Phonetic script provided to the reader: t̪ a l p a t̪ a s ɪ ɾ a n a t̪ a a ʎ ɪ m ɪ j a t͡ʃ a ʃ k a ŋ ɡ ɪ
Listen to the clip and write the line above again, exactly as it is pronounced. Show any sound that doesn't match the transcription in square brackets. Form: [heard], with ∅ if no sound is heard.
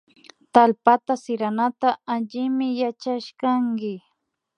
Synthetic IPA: t̪ a l p a t̪ a s ɪ ɾ a n a t̪ a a ʎ ɪ m ɪ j a t͡ʃ a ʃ k a ŋ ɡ ɪ